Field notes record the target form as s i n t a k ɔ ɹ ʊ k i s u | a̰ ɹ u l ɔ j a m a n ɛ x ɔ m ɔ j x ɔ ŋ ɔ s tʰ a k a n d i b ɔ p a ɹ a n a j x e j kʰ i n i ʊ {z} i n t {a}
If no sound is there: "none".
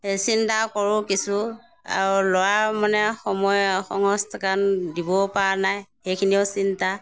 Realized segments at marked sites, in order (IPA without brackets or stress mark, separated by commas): s, a